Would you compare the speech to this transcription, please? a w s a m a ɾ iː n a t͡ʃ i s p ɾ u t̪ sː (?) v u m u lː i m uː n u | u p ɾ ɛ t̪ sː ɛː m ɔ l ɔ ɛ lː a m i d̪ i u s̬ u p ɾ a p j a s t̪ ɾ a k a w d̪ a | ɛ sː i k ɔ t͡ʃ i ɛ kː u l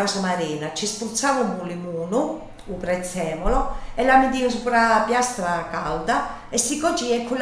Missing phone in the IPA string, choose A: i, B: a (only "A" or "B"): B